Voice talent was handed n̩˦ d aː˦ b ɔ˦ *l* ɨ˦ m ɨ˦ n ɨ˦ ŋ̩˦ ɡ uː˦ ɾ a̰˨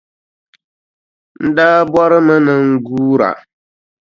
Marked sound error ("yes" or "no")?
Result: yes